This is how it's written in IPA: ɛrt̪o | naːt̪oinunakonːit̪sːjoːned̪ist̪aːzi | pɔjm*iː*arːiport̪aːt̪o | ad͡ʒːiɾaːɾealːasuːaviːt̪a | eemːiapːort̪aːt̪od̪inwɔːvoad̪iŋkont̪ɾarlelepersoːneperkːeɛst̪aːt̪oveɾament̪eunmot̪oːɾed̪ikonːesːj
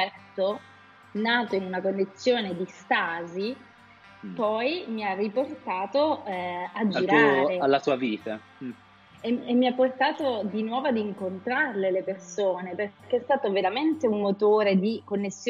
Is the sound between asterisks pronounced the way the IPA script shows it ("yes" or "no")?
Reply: no